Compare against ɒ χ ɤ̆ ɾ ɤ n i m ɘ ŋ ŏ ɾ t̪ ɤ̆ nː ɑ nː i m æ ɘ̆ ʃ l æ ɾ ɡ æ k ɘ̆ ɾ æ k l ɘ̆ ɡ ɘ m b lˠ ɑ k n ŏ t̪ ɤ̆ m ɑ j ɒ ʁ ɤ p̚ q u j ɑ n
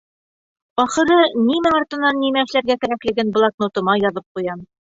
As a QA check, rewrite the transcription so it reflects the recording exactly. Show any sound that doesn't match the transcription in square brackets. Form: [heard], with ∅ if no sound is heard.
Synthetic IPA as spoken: ɒ χ ɤ̆ ɾ ɤ n i m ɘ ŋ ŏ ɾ t̪ ɤ̆ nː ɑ nː i m æ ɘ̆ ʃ l æ ɾ ɡ æ k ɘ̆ ɾ æ k l ɘ̆ ɡ ɘ [n] b lˠ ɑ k n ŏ t̪ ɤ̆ m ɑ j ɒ [ð] ɤ p̚ q u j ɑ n